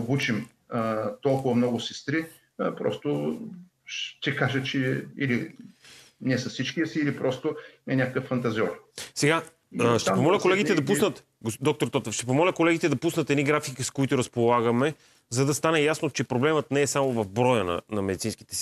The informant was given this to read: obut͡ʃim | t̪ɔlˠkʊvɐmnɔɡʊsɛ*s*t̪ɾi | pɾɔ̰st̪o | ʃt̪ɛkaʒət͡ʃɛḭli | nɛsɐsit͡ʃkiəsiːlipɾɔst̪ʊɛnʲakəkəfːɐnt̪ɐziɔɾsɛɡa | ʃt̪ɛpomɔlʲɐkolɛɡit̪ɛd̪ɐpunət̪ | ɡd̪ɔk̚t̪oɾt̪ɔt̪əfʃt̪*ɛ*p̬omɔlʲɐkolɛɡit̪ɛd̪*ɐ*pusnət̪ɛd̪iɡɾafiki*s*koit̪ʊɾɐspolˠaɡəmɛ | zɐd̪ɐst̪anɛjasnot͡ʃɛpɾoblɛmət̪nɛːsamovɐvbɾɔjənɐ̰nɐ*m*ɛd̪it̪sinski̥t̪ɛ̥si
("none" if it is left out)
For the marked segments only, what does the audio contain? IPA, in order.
s, ɛ, ɐ, s, m

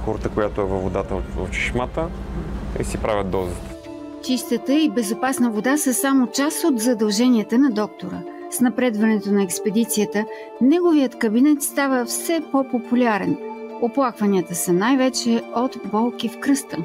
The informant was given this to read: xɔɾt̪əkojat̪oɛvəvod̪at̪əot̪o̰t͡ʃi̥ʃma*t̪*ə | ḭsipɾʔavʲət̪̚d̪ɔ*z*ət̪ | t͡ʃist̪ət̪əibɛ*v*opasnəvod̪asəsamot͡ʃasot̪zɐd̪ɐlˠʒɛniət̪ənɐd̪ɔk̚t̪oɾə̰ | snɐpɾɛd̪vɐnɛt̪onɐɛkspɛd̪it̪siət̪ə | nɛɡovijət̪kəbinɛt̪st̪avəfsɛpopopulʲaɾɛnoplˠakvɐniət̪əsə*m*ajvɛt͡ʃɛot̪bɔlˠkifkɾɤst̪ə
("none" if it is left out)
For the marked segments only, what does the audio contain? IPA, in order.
t̪, z, z, n

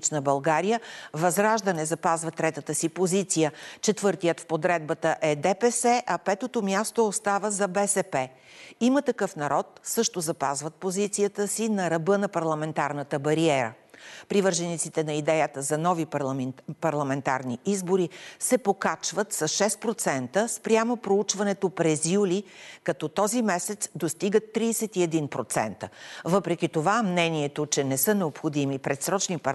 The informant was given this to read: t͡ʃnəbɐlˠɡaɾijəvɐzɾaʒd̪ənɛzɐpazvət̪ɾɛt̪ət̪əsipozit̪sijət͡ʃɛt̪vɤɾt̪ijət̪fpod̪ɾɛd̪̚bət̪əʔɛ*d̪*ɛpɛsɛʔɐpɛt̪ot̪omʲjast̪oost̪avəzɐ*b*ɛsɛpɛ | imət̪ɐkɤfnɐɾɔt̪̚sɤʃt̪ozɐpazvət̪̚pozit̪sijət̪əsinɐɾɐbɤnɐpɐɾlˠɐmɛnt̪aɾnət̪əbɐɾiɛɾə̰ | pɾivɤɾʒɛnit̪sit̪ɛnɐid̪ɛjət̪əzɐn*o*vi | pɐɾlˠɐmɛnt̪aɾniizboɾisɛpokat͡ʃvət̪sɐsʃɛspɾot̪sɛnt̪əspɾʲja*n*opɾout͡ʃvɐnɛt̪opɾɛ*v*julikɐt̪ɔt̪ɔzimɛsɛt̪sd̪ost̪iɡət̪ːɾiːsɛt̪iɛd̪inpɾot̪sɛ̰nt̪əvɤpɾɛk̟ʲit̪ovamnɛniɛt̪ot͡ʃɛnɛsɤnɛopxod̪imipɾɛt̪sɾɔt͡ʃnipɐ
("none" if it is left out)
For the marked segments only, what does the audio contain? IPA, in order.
d̪, b, ɔ, m, z

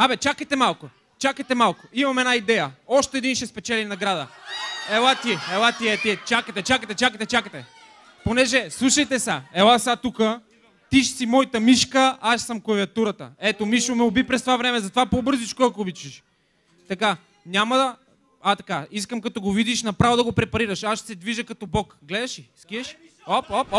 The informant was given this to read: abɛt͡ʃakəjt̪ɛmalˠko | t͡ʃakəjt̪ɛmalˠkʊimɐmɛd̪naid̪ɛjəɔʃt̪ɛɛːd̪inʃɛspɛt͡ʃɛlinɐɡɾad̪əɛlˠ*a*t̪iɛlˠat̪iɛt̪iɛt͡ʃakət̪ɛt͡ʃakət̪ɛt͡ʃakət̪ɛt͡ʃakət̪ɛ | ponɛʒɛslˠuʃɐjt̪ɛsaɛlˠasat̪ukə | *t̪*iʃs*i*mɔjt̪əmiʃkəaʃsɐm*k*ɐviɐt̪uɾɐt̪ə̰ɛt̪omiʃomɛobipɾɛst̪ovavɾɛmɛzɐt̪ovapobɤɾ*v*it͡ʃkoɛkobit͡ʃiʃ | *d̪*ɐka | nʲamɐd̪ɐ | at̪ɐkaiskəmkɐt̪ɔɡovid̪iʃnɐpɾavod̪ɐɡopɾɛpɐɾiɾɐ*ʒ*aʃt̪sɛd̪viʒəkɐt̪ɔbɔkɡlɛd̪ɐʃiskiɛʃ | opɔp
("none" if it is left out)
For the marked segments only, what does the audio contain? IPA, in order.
a, t̪, i, k, z, t̪, ʃ

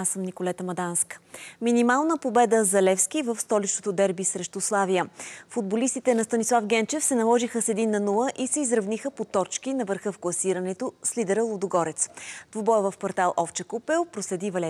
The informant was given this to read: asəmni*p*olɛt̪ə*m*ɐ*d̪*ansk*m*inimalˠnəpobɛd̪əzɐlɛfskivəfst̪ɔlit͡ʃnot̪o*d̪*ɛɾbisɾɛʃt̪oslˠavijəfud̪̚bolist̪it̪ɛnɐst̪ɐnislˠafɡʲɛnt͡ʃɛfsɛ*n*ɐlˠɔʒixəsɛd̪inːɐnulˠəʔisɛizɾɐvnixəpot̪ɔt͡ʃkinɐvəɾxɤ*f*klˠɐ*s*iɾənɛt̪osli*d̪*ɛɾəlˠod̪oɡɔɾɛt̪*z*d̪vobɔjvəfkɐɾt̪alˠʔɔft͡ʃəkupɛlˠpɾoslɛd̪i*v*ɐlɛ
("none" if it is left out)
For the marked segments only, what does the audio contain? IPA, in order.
k, m, d̪, m, d̪, n, f, s, d̪, s, v

